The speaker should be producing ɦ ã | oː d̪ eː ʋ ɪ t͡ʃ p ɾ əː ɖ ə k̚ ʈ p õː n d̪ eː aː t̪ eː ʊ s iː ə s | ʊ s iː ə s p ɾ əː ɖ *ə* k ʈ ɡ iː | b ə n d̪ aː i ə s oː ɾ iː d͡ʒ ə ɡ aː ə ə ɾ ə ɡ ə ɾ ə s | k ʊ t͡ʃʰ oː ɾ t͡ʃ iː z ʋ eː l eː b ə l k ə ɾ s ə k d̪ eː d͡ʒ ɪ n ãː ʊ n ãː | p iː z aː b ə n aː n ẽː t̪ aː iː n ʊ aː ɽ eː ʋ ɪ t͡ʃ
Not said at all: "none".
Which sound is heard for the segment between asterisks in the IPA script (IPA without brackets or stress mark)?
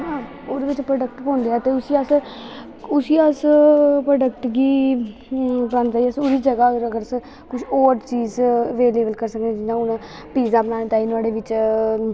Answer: ə